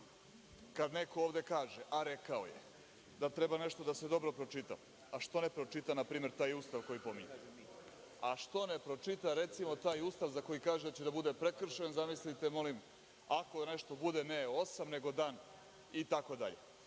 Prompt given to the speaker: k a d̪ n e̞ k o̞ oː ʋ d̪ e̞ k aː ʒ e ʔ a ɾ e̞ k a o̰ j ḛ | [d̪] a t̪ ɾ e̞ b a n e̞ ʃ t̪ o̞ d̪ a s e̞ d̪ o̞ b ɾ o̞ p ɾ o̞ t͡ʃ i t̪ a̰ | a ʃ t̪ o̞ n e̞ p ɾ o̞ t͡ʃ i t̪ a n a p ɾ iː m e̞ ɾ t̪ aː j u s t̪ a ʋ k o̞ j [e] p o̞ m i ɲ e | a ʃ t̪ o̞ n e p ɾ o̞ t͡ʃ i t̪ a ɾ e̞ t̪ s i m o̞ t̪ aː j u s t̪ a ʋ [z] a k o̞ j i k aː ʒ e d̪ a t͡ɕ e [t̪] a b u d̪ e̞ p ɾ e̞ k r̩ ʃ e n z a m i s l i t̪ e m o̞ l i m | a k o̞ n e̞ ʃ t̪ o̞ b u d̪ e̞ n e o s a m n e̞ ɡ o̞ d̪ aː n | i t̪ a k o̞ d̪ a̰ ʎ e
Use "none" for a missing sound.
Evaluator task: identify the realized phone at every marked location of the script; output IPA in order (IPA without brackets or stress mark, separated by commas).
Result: d̪, i, z, d̪